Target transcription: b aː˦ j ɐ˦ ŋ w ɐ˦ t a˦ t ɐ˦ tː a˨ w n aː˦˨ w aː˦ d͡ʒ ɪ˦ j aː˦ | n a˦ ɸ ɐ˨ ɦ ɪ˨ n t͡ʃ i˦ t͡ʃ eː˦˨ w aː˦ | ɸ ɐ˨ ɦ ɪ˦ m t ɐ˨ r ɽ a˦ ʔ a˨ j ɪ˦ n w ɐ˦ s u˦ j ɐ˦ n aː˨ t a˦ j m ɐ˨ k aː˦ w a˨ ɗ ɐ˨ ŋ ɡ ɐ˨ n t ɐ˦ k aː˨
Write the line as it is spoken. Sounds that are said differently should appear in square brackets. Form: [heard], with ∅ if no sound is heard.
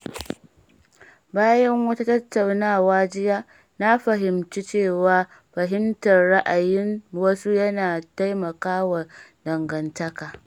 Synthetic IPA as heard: b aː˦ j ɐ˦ ŋ w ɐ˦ t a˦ t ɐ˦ tː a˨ w n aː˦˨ w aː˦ d͡ʒ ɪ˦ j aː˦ | n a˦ ɸ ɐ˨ ɦ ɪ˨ [m] t͡ʃ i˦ t͡ʃ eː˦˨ w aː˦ | ɸ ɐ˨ ɦ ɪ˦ m t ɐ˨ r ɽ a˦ ʔ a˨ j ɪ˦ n w ɐ˦ s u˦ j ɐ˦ n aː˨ t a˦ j m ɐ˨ k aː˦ w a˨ [d] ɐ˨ ŋ ɡ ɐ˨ n t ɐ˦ k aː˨